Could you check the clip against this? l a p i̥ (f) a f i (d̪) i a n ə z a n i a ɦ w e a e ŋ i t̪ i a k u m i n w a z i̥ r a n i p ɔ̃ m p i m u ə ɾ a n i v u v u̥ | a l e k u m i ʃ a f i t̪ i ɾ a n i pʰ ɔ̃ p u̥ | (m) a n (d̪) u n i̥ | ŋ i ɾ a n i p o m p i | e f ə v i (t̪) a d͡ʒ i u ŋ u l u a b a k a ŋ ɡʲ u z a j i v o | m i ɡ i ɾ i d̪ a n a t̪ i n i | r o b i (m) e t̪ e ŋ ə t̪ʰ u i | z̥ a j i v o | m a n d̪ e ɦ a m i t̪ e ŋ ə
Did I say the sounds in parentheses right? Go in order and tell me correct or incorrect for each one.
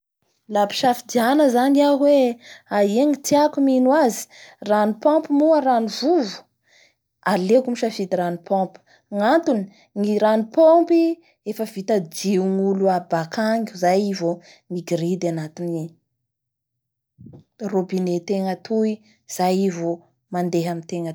incorrect: ʃ, correct, incorrect: ŋ, incorrect: t̪, correct, incorrect: n

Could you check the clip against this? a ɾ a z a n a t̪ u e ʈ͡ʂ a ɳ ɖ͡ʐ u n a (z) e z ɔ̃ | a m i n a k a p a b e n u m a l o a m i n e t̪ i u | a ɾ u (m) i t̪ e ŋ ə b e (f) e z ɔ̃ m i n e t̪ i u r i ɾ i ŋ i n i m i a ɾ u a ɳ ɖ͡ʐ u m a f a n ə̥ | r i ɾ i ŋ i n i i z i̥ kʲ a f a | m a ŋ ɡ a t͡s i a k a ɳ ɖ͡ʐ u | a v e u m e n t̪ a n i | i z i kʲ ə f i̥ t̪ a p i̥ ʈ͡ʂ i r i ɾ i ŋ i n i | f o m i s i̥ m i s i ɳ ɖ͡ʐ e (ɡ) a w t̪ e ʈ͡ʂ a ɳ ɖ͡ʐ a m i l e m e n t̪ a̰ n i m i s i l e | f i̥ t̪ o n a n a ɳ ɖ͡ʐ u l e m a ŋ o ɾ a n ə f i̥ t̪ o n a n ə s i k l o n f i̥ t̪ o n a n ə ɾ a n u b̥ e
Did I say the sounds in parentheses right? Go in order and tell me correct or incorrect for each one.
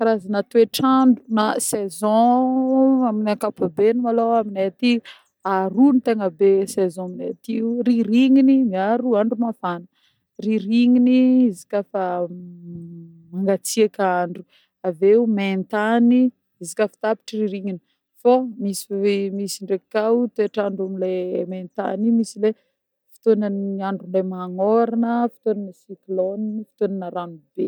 incorrect: s, incorrect: n, incorrect: s, incorrect: k

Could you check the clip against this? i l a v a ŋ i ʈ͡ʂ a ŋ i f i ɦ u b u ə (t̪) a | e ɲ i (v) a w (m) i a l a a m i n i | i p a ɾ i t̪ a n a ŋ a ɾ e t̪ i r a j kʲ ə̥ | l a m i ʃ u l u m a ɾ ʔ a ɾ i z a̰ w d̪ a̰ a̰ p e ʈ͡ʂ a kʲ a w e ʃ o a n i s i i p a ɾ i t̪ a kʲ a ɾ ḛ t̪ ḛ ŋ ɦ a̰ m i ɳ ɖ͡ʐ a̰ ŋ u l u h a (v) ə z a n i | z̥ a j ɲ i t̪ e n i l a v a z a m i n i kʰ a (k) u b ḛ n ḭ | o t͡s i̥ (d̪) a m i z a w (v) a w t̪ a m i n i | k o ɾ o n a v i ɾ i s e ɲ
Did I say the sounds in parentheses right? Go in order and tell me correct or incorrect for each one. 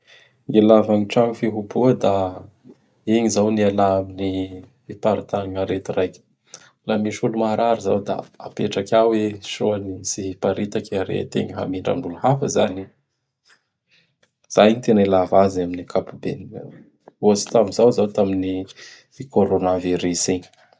incorrect: d̪, incorrect: z, incorrect: n, incorrect: f, incorrect: p, incorrect: t̪, incorrect: z

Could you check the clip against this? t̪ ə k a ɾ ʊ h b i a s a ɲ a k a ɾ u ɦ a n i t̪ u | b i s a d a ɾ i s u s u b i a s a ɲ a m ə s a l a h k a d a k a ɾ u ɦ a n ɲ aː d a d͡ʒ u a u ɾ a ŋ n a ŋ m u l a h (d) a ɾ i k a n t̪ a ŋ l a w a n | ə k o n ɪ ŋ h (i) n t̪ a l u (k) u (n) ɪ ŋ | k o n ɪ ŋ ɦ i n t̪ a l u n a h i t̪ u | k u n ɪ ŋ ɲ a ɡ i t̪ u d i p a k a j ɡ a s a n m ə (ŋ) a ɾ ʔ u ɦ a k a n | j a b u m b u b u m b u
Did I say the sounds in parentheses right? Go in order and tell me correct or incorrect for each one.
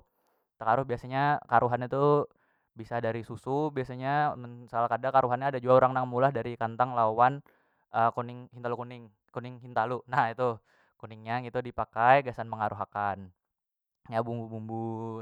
correct, correct, correct, correct, correct

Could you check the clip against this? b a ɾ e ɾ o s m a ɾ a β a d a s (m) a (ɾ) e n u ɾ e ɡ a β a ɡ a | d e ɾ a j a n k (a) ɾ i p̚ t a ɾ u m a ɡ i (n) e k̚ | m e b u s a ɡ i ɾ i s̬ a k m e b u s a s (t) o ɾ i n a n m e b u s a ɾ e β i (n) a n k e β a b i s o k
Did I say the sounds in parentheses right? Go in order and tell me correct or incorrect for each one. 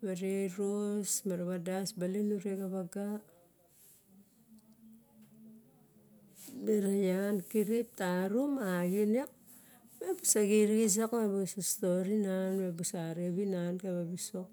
incorrect: b, incorrect: l, incorrect: i, correct, correct, correct

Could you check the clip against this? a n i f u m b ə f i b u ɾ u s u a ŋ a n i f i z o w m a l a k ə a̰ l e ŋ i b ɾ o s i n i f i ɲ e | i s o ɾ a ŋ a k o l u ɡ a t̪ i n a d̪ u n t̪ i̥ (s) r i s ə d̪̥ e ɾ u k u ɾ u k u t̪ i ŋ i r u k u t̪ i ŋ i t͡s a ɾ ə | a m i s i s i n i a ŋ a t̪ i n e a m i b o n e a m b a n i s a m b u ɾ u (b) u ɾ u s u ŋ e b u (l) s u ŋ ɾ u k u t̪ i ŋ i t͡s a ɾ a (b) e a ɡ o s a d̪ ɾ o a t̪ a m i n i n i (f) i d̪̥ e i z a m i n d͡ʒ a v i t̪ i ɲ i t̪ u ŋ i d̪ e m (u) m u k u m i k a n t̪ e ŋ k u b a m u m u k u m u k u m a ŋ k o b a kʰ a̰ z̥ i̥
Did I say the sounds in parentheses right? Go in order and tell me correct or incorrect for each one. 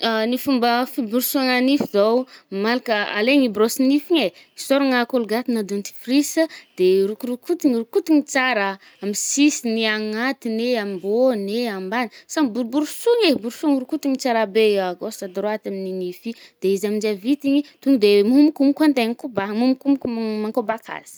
incorrect: f, correct, incorrect: ɾ, correct, correct, correct

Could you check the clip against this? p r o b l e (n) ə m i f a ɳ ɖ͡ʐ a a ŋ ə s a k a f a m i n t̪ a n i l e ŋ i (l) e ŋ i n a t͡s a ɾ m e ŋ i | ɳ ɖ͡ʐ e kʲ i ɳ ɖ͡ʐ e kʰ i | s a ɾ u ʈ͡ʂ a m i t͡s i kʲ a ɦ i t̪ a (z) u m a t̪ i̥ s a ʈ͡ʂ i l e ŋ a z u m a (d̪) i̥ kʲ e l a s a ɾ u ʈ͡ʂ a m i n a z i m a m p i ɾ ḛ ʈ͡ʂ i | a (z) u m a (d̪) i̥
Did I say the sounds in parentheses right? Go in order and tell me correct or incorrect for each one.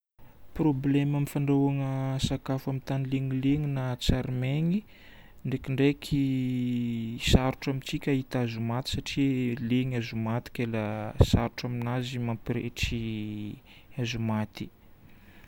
incorrect: m, correct, correct, incorrect: t̪, correct, incorrect: t̪

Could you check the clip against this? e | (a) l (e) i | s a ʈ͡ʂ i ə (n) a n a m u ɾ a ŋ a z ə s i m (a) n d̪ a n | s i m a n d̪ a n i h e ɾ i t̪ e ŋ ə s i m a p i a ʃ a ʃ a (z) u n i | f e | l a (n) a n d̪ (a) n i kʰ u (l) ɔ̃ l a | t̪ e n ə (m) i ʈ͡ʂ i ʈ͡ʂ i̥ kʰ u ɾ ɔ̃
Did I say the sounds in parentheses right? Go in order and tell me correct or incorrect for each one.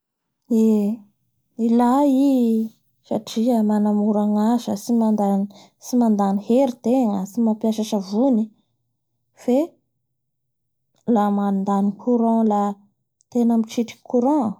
incorrect: i, incorrect: a, incorrect: m, correct, incorrect: v, incorrect: m, correct, incorrect: ɾ, correct

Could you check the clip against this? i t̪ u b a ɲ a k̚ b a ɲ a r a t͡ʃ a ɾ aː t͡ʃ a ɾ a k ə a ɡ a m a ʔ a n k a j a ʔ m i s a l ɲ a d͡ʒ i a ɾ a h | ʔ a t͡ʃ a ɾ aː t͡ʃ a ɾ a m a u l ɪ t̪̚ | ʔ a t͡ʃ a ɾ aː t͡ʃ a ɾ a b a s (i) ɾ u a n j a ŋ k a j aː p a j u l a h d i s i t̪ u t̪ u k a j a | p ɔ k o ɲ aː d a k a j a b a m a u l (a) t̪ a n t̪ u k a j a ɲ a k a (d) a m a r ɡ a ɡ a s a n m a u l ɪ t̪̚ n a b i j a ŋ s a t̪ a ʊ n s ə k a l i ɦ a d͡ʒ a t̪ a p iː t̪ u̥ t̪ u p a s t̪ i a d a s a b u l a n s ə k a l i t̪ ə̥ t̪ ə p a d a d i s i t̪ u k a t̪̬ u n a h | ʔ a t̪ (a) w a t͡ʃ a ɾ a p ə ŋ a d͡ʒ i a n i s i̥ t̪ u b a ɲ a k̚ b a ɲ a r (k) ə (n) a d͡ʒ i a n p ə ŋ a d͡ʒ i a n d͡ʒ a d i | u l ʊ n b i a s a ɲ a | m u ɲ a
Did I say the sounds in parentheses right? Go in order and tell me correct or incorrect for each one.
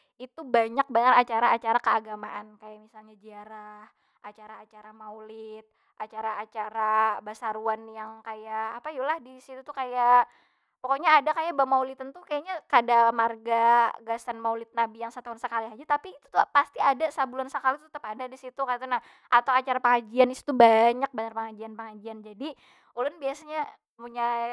incorrect: a, incorrect: i, correct, correct, incorrect: p, incorrect: ŋ

